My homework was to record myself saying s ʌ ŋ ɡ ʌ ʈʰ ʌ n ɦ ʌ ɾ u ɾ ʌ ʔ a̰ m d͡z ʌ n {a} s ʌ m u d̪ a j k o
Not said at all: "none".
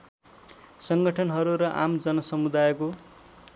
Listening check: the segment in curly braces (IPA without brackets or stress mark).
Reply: ʌ